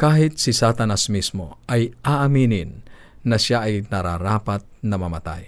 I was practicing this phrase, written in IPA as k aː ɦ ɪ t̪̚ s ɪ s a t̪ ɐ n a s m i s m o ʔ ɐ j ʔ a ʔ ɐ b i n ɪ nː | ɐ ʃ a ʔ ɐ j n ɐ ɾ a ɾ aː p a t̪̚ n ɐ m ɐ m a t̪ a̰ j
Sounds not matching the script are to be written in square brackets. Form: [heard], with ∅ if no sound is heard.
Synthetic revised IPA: k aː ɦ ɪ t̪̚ s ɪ s a t̪ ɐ n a s m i s m o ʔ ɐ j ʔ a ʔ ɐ [m] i n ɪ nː | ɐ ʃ a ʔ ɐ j n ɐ ɾ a ɾ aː p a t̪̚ n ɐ m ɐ m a t̪ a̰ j